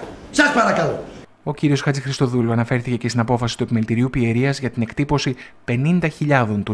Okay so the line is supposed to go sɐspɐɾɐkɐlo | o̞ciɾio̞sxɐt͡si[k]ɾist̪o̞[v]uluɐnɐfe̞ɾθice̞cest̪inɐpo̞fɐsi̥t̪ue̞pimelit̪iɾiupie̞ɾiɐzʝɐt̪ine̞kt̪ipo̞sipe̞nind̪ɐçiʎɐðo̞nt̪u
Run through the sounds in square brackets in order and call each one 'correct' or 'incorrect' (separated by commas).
incorrect, incorrect